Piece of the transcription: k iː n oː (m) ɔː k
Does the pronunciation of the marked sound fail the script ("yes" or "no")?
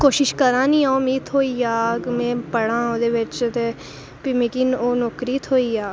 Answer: yes